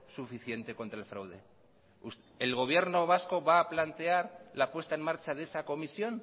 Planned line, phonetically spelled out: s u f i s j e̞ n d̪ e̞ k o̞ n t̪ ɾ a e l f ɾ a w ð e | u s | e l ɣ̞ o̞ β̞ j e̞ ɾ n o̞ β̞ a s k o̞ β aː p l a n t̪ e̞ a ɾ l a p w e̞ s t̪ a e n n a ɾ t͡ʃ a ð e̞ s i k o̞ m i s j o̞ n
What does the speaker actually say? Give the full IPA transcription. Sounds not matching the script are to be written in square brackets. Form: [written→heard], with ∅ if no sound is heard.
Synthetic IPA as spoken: s u f i [s→θ] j e̞ n [d̪→t̪] e̞ k o̞ n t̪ ɾ a e l f ɾ a w ð e | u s | e l ɣ̞ o̞ β̞ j e̞ ɾ n o̞ β̞ a s k o̞ β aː p l a n t̪ e̞ a ɾ l a p w e̞ s t̪ a e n [n→m] a ɾ t͡ʃ a ð e̞ s [i→a] k o̞ m i s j o̞ n